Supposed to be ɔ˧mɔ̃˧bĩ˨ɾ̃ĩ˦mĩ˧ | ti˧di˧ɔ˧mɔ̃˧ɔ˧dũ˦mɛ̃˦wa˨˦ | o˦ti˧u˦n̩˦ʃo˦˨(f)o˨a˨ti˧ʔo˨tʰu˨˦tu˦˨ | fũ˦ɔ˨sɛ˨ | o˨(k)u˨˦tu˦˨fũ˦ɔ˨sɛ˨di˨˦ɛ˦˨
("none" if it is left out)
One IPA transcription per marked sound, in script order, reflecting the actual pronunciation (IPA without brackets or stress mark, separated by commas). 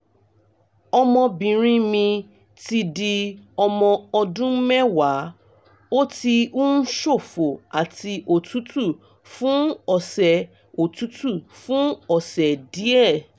f, t